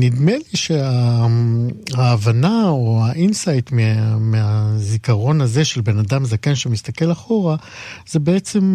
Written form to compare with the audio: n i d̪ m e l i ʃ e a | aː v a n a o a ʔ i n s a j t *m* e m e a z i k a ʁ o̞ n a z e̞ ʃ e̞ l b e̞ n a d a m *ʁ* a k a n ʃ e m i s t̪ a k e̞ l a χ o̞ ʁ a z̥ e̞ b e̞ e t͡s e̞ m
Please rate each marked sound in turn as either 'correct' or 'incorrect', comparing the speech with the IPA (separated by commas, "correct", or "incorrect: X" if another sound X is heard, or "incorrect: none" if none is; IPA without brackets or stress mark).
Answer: correct, incorrect: z